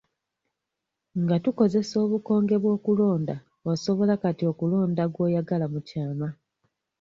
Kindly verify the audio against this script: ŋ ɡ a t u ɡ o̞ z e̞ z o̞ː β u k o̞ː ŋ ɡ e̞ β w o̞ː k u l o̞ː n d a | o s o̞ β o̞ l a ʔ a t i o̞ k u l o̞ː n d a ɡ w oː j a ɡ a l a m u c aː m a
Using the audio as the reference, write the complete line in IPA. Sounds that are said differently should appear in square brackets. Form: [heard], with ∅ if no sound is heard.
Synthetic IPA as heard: ŋ ɡ a t u [k] o̞ z e̞ [s] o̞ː β u k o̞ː ŋ ɡ e̞ β w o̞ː k u l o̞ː n d a | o s o̞ β o̞ l a [k] a t i o̞ k u l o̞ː n d a ɡ w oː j a ɡ a l a m u c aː m a